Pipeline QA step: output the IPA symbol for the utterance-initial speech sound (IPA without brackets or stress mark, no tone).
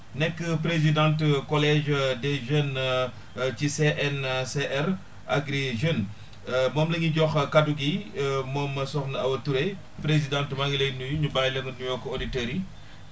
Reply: n